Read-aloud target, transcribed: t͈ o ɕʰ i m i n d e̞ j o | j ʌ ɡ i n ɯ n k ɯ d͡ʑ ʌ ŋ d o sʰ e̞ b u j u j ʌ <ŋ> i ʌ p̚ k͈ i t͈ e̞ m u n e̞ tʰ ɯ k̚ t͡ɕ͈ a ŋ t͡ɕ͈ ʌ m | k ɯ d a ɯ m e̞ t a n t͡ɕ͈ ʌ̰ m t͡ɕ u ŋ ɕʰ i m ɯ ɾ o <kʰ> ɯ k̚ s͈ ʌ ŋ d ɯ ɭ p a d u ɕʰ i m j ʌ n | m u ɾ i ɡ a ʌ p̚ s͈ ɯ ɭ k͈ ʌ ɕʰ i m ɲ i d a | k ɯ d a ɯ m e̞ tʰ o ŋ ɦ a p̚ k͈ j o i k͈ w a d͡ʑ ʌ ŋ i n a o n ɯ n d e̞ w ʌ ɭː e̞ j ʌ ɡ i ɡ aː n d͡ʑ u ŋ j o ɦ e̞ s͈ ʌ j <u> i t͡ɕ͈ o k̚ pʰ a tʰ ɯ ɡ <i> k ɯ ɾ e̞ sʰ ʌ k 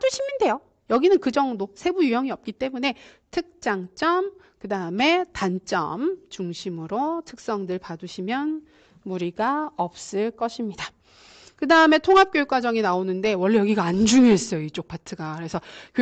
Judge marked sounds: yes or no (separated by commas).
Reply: yes, no, no, no